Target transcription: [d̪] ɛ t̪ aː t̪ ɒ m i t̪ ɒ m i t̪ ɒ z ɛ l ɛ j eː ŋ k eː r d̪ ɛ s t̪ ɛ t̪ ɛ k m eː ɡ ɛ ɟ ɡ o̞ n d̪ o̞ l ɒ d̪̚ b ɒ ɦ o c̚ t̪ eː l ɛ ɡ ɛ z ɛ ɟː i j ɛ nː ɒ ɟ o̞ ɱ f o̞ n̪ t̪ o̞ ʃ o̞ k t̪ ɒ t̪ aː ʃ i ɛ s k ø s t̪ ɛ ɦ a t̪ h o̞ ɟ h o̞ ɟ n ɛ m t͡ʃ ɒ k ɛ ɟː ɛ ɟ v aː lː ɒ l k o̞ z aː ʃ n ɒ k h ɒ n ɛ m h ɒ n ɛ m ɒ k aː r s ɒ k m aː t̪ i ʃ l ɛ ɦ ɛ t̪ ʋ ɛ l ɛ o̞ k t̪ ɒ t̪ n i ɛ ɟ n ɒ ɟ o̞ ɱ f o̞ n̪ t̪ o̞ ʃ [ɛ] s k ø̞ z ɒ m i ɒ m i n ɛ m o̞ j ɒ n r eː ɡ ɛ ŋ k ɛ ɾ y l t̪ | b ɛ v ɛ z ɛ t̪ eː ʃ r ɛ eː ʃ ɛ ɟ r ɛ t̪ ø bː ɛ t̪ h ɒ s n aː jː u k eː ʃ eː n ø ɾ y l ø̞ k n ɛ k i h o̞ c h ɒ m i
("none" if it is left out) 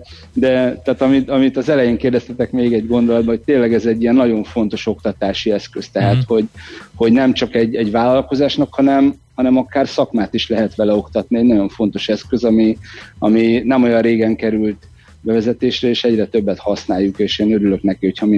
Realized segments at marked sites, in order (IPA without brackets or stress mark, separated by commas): d̪, ɛ